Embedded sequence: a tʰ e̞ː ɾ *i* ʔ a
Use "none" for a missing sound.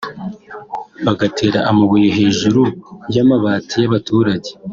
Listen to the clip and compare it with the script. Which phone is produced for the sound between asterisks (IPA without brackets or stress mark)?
a